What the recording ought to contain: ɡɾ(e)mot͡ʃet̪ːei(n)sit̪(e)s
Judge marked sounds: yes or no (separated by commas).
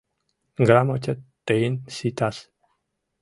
no, yes, no